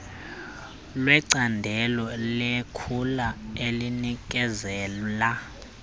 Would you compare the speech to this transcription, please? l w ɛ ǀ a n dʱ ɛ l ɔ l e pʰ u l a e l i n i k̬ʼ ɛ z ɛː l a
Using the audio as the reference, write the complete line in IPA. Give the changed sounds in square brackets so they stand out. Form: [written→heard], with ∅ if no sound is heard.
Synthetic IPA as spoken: l w ɛ ǀ a n dʱ ɛ l ɔ l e [pʰ→kʰ] u l a e l i n i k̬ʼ ɛ z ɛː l a

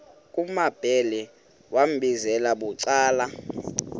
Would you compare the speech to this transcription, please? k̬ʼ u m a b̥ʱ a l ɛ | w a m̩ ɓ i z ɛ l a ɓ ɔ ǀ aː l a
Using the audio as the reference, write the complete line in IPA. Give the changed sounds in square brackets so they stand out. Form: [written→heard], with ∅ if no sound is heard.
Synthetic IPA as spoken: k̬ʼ u m a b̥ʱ [a→ɛ] l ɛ | w a m̩ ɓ i z ɛ l a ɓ [ɔ→u] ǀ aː l a

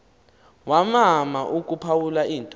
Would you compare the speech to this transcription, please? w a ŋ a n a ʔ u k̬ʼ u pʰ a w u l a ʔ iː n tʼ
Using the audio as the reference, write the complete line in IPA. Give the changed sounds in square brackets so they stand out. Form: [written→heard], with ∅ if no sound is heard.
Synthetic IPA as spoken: w a [ŋ→m] a [n→m] a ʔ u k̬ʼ u pʰ a w u l a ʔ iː n tʼ

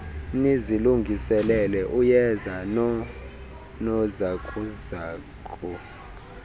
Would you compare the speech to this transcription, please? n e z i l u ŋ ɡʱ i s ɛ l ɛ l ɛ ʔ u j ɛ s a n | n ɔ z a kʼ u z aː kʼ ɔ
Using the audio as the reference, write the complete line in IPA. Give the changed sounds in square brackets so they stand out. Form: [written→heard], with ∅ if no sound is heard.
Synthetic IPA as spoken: n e z i l u ŋ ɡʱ i s ɛ l ɛ l ɛ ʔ u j ɛ [s→z] a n | n ɔ z a kʼ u z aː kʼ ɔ

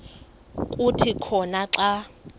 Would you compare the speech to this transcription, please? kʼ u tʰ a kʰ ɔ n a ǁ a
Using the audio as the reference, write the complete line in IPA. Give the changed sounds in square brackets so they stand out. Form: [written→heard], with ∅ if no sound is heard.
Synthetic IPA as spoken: kʼ u tʰ [a→i] kʰ ɔ n a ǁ a

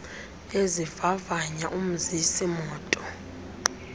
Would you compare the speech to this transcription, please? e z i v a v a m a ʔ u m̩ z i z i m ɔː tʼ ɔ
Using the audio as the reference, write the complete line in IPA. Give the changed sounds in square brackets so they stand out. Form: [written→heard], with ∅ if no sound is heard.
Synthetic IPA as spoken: e z i v a v a [m→ɲ] a ʔ u m̩ z i [z→s] i m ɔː tʼ ɔ

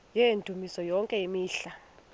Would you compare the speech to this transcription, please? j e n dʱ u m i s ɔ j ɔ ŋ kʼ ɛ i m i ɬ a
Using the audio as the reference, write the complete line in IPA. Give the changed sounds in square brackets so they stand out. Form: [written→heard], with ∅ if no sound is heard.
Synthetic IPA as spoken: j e n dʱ u m i s ɔ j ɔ ŋ kʼ ɛ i m [i→iː] ɬ a

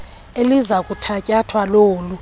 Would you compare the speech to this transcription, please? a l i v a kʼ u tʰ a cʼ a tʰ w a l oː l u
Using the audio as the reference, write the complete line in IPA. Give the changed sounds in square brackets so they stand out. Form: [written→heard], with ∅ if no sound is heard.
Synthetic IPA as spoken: [a→e] l i [v→z] a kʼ u tʰ a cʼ a tʰ w a l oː l u

